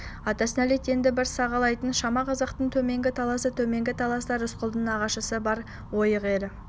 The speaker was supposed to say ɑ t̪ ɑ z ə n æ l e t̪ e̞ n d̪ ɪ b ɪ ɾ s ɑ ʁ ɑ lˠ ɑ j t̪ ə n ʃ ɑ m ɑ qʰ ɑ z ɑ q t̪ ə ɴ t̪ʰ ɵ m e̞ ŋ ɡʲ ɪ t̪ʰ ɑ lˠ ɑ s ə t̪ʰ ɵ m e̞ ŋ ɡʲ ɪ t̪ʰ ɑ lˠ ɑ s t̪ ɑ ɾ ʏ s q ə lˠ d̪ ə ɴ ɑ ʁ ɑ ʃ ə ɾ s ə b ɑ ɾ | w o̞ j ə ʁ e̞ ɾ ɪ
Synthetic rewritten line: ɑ t̪ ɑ s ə n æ l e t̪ e̞ n d̪ ɪ b ɪ ɾ s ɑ ʁ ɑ lˠ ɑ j t̪ ə n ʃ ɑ m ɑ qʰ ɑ z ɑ q t̪ ə ɴ t̪ʰ ɵ m e̞ ŋ ɡʲ ɪ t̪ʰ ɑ lˠ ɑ s ə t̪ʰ ɵ m e̞ ŋ ɡʲ ɪ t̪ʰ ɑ lˠ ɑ s t̪ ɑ ɾ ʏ s q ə lˠ d̪ ə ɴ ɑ ʁ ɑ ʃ ə s ə b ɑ ɾ | w o̞ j ə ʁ e̞ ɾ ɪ